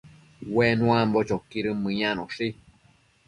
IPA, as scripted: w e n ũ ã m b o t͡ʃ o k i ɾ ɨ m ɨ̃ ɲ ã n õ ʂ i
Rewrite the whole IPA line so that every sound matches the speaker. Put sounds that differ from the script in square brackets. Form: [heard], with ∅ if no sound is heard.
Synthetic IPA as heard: w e n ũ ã m b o t͡ʃ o k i ɾ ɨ m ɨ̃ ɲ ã n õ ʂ i